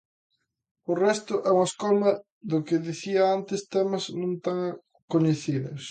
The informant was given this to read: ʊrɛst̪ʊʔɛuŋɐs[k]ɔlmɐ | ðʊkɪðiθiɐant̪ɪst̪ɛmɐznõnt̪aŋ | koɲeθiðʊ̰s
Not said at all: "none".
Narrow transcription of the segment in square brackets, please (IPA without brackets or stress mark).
k